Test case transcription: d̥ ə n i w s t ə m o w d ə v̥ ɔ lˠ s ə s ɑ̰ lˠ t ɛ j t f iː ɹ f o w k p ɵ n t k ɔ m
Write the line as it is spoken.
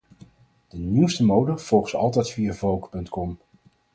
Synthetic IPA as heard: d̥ ə n i w s t ə m o w d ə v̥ ɔ lˠ χ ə s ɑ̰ lˠ t ɛ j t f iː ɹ v o w k p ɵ n t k ɔ m